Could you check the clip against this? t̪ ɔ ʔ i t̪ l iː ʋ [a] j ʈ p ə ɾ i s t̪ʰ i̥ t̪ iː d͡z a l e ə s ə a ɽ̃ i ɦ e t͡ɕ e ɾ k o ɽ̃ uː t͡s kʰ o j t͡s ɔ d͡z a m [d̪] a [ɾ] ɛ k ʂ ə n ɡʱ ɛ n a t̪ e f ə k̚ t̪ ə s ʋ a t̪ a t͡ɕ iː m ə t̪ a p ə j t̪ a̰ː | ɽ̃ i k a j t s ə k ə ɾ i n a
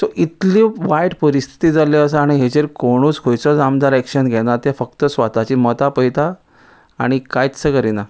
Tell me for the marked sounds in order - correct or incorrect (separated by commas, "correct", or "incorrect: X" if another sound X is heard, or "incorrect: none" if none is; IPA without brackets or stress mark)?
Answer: correct, correct, correct